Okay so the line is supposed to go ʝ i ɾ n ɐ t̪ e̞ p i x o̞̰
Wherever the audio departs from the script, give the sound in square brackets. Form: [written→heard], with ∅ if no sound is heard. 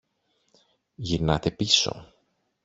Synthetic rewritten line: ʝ i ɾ n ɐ t̪ e̞ p i [x→s] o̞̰